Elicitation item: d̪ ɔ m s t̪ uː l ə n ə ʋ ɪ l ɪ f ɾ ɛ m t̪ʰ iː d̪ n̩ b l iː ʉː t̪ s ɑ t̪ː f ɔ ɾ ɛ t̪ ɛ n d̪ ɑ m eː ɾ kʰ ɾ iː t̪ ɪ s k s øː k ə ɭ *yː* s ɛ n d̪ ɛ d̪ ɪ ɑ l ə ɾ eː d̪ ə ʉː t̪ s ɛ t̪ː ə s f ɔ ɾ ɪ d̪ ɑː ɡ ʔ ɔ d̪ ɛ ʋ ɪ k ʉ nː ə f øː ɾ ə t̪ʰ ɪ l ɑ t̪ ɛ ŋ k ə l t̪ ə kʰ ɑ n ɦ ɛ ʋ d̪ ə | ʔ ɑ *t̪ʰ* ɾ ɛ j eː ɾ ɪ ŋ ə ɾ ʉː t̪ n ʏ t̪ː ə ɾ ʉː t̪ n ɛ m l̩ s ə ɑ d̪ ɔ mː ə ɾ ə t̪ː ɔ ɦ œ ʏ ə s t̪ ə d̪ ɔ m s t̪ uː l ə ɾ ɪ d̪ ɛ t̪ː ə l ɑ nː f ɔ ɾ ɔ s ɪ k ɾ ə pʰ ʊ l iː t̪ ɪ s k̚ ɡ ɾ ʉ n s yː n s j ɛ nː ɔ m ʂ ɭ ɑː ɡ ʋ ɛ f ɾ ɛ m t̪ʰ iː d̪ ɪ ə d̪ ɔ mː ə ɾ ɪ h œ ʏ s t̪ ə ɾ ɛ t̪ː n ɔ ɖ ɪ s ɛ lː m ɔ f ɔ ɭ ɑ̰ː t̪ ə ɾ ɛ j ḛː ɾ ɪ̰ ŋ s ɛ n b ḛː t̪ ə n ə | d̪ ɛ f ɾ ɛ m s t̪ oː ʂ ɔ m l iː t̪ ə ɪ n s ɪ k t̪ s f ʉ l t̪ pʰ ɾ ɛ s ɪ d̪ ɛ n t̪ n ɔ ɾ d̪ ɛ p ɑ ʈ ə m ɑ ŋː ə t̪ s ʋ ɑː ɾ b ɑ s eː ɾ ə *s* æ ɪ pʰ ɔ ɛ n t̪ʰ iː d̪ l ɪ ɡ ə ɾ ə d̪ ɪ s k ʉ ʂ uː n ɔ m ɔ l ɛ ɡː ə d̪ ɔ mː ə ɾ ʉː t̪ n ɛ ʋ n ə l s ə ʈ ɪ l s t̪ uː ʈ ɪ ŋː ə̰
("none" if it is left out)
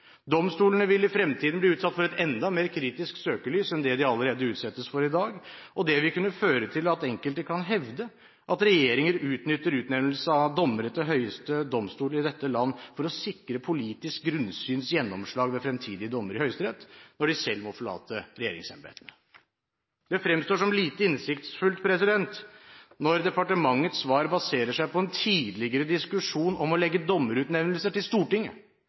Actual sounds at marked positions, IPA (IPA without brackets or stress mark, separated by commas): yː, t̪, ʂ